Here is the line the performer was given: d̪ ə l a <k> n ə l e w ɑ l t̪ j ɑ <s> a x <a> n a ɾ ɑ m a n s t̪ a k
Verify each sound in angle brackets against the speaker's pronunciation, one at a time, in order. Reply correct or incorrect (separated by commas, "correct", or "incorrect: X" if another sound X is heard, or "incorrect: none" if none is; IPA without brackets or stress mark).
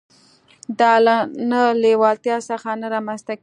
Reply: incorrect: none, correct, correct